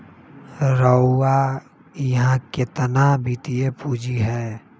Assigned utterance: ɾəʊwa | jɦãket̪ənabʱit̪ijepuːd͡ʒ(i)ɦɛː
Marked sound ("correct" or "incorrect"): correct